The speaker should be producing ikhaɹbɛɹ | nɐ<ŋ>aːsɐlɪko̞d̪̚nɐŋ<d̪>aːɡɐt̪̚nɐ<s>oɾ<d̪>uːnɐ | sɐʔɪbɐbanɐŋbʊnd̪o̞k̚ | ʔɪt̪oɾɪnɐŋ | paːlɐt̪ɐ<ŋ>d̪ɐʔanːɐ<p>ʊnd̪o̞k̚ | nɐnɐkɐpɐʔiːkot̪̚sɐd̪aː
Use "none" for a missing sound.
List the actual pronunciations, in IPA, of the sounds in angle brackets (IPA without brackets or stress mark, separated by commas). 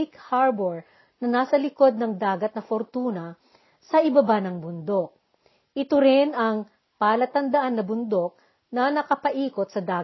n, d̪, f, t̪, n, b